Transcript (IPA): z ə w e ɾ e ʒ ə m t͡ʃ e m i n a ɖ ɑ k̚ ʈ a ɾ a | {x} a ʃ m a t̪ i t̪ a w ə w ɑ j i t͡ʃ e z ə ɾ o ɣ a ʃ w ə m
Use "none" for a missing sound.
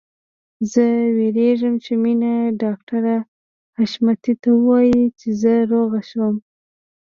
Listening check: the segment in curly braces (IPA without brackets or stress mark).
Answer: h